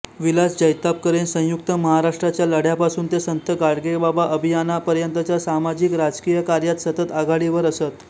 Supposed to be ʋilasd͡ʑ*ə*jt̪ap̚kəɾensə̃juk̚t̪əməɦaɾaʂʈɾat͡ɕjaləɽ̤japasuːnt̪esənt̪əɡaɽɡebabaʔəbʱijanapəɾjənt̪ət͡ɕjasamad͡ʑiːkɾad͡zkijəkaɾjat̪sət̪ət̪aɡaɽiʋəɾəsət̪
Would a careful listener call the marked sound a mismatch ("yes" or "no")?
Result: no